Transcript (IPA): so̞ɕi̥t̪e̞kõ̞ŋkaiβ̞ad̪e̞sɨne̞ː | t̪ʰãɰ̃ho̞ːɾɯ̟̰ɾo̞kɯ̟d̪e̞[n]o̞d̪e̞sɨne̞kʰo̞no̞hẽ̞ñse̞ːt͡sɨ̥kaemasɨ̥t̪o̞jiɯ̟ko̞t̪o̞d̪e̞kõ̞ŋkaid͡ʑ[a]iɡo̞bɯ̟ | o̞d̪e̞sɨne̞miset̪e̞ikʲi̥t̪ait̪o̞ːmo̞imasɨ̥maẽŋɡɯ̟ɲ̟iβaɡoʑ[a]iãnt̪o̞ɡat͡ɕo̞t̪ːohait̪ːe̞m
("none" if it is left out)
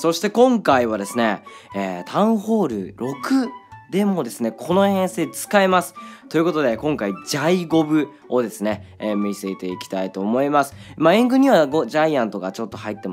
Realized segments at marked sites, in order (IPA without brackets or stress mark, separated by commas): m, a, a